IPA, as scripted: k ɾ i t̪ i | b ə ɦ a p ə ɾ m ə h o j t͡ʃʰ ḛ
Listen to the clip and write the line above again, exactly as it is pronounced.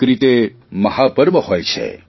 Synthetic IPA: k ɾ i t̪ e | m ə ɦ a p ə ɾ m ə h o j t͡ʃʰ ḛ